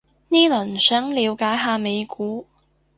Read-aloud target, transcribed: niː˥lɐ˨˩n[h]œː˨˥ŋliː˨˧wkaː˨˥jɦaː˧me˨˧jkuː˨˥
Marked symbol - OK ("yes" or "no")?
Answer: no